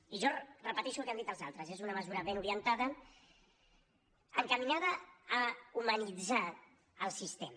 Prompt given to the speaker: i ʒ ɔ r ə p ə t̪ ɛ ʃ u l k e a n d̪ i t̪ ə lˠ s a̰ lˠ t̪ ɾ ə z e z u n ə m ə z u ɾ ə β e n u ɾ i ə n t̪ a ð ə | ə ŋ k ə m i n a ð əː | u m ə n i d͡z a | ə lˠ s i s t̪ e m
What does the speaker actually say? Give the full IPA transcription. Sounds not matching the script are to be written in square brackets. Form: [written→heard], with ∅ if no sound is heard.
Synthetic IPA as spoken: i ʒ ɔ r ə p ə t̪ ɛ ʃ u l k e a n d̪ i t̪ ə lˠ [s→z] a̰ lˠ t̪ ɾ ə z e z u n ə m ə z u ɾ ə β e n u ɾ i ə n t̪ a ð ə | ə ŋ k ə m i n a ð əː | u m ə n i d͡z a | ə lˠ s i s t̪ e m

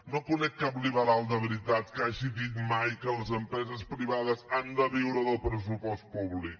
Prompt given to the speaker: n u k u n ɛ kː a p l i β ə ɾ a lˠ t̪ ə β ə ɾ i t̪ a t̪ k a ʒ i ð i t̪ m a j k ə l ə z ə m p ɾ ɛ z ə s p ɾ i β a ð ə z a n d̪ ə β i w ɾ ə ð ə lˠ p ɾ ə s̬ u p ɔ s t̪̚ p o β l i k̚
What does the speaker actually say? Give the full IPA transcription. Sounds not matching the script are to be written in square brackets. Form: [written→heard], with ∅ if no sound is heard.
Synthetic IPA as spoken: n [u→o] k u n ɛ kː a p l i β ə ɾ a lˠ [t̪→d̪] ə β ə ɾ i t̪ a t̪ k a ʒ i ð i t̪ m a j k ə l ə z ə m p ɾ ɛ z ə s p ɾ i β a ð ə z a n d̪ ə β i w ɾ ə ð ə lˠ p ɾ ə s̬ u p ɔ s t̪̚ p [o→u] β l i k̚

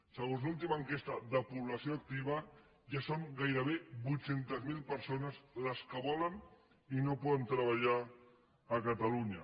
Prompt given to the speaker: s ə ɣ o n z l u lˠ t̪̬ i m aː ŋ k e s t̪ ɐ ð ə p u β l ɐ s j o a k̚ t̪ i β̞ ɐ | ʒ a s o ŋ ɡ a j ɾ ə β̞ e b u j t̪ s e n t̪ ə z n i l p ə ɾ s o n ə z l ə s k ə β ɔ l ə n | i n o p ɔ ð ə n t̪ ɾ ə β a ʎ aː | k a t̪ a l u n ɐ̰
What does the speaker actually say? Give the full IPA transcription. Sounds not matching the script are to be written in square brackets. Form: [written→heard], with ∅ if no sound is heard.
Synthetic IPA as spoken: s ə ɣ o n z l u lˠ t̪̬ i m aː ŋ k e s t̪ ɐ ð ə p u β l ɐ s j o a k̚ t̪ i β̞ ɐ | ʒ a s o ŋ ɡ a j ɾ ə β̞ e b u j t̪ s e n t̪ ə z [n→m] i l p ə ɾ s o n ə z l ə s k ə β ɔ l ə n | i n o p ɔ ð ə n t̪ ɾ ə β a ʎ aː | k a t̪ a l u [n→ɲ] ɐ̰

